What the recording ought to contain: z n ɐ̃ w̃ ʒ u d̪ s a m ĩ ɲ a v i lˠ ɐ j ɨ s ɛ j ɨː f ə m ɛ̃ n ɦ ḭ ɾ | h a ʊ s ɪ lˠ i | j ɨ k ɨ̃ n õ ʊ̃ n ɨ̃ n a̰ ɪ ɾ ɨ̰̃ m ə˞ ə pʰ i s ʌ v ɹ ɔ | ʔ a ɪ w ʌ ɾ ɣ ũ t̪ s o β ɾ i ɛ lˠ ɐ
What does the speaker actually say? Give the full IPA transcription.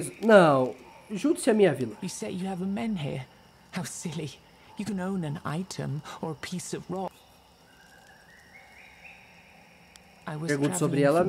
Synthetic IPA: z n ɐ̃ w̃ ʒ u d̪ s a m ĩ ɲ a v i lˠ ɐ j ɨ s ɛ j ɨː v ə m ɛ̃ n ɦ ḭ ɹ | h a ʊ s ɪ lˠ i | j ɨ k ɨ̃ n õ ʊ̃ n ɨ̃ n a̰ ɪ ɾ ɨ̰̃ m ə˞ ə pʰ i s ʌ v ɹ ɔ | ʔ a ɪ w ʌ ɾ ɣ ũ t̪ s o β ɾ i ɛ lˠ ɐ